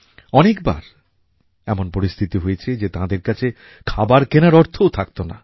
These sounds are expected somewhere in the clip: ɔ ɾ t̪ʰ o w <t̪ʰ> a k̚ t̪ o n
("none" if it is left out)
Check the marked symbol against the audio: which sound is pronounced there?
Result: t̪ʰ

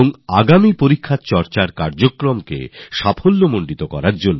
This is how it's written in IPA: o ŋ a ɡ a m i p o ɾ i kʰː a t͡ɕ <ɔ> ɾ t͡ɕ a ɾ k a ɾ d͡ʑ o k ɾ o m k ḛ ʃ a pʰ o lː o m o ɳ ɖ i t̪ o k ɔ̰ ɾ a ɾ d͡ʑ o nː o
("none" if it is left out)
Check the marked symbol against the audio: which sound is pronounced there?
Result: ɔ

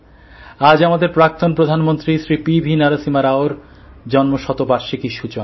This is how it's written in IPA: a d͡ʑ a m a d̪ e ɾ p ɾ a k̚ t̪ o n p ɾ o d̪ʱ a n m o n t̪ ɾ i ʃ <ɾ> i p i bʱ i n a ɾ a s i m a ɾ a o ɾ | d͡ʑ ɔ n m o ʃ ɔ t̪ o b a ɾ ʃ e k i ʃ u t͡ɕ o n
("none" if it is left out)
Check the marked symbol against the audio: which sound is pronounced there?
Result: ɾ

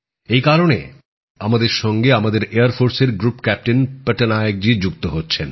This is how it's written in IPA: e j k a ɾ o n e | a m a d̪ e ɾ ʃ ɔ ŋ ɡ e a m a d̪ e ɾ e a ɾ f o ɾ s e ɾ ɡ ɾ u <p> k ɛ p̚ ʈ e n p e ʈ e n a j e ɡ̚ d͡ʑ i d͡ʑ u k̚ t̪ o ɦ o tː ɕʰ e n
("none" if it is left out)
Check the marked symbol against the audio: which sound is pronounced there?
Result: p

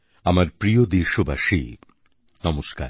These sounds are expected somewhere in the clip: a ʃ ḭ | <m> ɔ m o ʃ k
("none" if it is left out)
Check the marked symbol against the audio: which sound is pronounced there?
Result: n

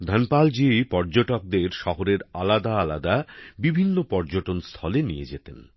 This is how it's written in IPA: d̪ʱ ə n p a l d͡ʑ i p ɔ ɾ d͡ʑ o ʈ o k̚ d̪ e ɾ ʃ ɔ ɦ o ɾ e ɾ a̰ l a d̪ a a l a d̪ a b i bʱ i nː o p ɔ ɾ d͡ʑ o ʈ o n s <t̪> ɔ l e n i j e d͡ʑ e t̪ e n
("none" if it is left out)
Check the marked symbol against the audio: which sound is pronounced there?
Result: t̪ʰ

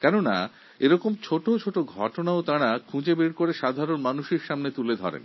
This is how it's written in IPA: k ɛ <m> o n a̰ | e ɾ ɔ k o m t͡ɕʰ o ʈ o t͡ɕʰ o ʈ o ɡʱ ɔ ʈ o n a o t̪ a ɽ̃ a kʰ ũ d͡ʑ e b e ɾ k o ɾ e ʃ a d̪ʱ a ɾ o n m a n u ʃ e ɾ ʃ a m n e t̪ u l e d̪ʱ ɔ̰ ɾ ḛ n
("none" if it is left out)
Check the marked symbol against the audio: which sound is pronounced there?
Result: n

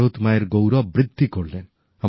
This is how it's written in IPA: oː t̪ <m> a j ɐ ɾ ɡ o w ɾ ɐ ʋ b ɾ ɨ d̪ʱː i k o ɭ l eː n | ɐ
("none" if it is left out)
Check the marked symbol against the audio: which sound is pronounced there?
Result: m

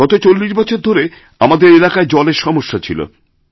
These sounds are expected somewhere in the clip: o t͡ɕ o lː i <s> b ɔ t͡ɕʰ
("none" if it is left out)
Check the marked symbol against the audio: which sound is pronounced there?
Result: ʃ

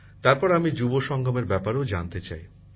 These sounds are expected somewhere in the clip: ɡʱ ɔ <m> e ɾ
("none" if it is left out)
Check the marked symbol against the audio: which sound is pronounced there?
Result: m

